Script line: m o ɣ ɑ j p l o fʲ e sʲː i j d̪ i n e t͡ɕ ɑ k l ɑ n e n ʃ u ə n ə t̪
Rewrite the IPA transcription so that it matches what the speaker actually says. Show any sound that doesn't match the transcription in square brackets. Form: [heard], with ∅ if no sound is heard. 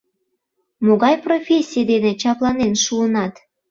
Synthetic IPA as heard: m o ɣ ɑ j p [r] o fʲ e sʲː i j d̪ [e] n e t͡ɕ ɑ [p] l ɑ n e n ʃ u ə n [ɑ] t̪